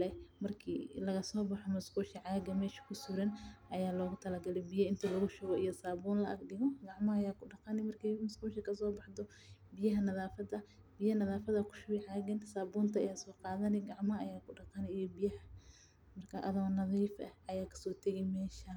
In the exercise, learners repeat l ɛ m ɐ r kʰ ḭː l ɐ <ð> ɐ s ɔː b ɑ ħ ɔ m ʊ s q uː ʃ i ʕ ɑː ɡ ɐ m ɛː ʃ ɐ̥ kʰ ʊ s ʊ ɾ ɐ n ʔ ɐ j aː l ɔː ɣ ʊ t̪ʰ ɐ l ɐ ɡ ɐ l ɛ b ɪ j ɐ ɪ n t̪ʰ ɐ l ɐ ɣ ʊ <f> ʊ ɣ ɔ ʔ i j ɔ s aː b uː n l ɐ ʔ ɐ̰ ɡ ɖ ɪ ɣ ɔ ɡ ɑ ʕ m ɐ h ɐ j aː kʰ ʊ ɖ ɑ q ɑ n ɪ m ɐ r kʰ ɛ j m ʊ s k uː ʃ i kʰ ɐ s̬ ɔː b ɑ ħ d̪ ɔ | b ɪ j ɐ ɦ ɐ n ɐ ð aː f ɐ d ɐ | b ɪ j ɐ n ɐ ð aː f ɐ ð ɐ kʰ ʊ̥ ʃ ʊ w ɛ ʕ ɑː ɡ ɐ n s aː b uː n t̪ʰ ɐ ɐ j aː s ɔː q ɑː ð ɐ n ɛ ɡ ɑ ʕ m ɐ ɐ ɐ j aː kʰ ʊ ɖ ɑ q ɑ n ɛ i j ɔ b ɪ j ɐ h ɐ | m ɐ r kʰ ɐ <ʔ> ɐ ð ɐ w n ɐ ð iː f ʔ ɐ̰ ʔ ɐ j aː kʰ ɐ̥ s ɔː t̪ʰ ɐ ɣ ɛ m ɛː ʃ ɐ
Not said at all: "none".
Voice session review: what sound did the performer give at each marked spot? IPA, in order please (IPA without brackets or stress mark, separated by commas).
ɣ, ʃ, ʔ